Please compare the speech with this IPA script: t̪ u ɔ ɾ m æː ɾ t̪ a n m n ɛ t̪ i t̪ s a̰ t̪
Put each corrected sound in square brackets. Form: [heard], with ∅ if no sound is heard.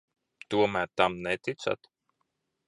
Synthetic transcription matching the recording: t̪ u ɔ [∅] m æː ɾ t̪ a [∅] m n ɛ t̪ i t̪ s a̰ t̪